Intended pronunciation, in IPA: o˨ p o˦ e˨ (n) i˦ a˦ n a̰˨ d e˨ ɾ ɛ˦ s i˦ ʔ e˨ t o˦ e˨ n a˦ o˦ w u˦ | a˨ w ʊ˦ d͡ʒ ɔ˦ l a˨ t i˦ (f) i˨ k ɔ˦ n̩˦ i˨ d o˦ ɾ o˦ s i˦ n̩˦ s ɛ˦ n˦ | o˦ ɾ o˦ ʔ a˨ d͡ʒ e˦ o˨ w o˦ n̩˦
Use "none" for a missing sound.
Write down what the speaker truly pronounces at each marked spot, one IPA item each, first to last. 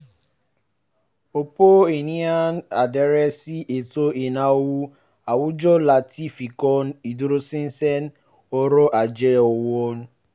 n, f

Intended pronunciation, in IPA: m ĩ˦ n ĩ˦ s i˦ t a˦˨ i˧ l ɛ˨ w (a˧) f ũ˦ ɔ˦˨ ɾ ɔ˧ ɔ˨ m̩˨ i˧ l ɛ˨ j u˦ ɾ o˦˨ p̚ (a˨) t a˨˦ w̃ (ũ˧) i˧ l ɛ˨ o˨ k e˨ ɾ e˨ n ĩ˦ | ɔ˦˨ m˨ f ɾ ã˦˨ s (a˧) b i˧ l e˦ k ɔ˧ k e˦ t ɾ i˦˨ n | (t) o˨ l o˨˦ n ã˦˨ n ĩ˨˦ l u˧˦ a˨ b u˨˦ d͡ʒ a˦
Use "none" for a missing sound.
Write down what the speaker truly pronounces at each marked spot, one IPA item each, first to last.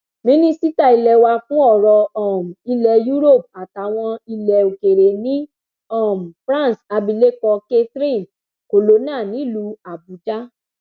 a˧, a˨, ɔ̃˧, a˧, k

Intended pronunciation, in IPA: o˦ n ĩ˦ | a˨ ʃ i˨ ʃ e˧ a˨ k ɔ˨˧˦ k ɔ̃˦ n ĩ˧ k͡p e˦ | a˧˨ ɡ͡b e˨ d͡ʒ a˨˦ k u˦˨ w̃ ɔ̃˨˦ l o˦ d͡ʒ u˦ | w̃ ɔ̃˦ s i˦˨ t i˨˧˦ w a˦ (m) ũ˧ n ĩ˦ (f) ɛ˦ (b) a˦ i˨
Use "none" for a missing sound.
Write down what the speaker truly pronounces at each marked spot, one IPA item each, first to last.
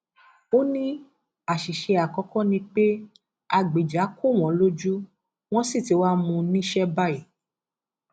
m, ʃ, b

